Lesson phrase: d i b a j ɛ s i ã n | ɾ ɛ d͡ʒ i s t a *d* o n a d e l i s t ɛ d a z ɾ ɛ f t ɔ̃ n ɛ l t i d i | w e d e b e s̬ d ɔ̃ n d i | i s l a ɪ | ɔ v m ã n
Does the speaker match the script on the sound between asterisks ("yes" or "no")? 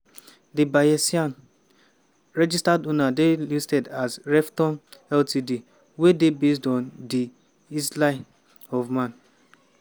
yes